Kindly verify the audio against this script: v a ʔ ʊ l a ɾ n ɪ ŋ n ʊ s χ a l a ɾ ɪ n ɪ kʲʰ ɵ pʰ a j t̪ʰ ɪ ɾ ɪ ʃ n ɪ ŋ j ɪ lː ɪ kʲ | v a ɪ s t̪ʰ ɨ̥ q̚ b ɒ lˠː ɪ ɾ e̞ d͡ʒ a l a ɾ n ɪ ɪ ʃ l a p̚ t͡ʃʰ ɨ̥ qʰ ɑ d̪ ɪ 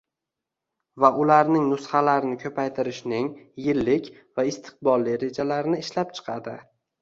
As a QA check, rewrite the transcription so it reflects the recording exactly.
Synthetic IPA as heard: v a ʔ ʊ l a ɾ n ɪ ŋ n ʊ s χ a l a ɾ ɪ n ɪ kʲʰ ɵ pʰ a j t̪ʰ ɪ ɾ ɪ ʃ n ɪ ŋ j ɪ lː ɪ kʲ | v a ɪ s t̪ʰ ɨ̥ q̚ b ɒ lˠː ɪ ɾ e̞ d͡ʒ a l a ɾ n ɪ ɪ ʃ l a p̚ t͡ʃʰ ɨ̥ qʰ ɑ d̪ ɪ